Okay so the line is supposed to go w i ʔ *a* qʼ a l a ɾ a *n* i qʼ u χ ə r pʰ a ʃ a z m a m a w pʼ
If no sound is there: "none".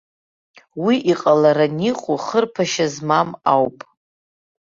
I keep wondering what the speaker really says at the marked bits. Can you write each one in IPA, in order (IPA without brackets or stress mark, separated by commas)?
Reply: i, n